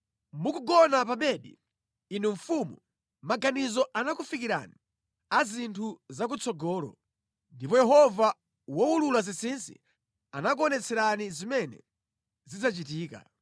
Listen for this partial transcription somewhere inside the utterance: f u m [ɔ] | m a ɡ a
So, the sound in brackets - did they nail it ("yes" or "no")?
no